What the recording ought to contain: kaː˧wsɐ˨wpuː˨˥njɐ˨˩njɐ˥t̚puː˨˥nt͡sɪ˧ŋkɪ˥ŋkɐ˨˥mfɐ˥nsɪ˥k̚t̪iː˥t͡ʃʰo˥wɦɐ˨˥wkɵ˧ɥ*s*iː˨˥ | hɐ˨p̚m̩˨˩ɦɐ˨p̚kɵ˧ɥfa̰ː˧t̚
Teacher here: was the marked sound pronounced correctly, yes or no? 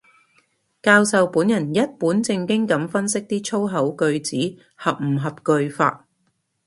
no